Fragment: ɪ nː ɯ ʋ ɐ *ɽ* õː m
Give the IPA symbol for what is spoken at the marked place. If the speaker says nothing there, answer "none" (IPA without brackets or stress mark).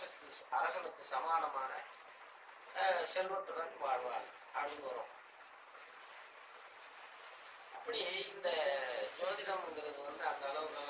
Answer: ɾ